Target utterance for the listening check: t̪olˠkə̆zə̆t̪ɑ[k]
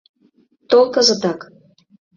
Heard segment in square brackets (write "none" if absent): k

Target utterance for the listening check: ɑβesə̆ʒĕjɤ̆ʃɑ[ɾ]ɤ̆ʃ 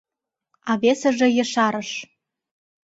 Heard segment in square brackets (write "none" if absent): ɾ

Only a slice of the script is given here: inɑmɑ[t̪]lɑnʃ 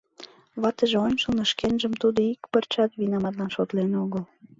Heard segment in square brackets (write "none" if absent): t̪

